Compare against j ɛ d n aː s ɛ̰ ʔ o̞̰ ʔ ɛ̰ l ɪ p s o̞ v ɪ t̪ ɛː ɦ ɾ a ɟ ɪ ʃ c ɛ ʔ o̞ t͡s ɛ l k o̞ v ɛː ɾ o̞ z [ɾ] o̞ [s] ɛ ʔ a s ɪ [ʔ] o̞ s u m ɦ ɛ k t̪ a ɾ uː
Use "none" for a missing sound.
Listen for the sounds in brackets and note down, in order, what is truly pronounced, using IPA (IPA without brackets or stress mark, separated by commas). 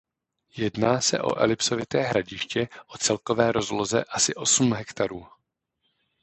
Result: l, z, ʔ